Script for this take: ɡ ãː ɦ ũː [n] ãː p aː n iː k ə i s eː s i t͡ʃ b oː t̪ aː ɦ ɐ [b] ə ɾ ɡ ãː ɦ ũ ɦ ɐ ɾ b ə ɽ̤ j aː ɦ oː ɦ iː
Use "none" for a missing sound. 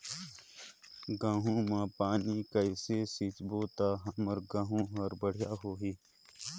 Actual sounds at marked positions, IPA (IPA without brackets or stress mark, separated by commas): m, m